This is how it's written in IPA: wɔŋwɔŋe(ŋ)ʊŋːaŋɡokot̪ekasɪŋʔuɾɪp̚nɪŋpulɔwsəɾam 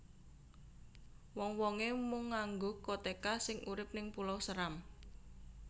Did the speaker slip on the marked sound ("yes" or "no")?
yes